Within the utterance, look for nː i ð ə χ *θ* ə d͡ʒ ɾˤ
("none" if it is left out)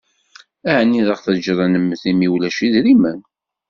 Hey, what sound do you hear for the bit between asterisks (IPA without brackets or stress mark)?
θ